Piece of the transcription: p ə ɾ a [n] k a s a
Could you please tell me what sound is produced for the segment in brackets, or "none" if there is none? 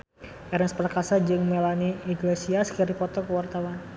none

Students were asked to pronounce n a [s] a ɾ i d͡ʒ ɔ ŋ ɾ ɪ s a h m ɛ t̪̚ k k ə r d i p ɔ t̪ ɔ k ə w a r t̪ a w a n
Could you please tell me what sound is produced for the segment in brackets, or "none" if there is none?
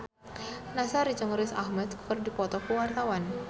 s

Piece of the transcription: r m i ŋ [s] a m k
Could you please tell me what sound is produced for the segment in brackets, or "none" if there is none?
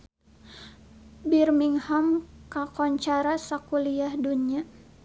h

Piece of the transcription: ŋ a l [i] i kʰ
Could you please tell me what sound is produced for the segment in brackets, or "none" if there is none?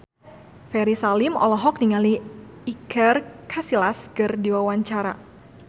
i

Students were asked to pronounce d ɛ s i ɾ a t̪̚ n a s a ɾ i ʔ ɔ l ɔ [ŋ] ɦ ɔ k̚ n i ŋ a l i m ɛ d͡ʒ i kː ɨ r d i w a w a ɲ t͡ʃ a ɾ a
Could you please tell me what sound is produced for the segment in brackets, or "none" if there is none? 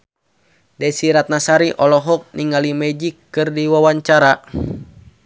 none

